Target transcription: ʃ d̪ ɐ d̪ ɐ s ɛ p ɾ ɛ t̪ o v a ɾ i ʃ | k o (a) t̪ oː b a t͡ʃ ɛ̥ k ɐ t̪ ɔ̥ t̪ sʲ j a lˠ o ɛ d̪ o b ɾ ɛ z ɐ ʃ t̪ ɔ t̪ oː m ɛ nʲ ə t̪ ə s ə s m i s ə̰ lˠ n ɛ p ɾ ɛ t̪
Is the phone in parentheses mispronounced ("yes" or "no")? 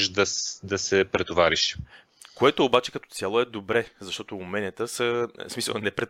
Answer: yes